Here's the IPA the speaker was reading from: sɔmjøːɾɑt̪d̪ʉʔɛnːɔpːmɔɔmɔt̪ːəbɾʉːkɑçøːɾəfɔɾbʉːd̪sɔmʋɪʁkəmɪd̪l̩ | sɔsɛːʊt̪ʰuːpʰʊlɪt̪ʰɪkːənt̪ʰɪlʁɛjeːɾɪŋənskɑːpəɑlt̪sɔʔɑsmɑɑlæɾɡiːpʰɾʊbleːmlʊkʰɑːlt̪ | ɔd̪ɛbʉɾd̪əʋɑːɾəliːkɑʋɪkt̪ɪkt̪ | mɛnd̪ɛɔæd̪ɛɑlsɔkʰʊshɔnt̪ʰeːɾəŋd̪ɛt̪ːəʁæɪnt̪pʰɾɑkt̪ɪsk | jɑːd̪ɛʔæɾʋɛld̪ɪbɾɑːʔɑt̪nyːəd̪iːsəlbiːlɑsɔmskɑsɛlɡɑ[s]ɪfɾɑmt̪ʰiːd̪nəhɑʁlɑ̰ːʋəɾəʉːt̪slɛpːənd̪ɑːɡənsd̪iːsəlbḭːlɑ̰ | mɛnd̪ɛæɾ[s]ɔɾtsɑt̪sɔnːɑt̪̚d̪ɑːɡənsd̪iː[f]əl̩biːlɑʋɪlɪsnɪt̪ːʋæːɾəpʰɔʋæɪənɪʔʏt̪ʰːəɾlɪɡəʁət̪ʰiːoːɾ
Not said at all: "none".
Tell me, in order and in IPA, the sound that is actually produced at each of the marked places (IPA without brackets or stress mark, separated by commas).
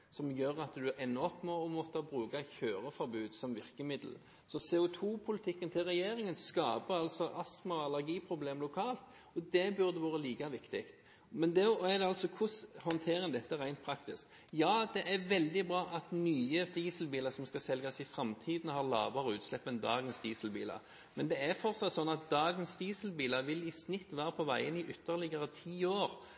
s, f, s